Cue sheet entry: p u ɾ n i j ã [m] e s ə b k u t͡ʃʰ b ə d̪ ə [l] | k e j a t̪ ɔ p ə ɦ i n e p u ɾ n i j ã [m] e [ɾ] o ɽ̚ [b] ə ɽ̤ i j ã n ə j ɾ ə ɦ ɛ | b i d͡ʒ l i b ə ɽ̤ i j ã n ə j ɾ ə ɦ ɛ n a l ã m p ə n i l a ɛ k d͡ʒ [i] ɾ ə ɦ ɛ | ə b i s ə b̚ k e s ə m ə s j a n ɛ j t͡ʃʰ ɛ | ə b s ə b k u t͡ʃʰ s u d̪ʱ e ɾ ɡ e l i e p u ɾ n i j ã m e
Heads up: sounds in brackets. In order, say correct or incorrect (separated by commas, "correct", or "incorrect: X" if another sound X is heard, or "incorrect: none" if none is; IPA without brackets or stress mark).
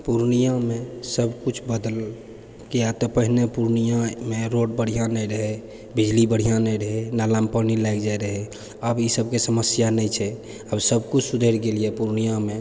correct, correct, correct, correct, correct, incorrect: a